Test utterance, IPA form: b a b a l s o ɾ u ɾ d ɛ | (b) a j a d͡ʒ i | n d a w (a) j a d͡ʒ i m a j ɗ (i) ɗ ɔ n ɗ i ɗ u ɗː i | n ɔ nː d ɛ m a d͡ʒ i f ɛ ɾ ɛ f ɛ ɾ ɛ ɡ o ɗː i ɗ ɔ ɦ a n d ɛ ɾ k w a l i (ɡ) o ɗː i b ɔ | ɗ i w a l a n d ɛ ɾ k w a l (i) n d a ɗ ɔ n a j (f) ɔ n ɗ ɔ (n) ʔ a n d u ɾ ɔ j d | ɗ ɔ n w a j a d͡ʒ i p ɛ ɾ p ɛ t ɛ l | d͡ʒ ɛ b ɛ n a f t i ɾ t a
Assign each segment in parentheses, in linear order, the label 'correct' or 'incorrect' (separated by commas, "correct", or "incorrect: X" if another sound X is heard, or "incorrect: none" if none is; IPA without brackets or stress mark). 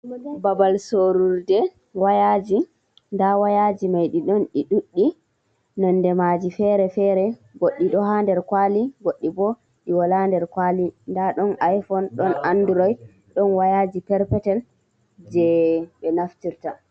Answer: incorrect: w, correct, correct, correct, correct, correct, correct